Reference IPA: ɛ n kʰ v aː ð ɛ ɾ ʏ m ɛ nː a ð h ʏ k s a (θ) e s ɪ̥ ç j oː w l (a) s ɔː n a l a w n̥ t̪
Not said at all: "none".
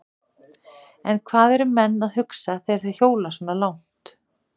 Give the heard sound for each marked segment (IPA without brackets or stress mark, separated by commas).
θ, a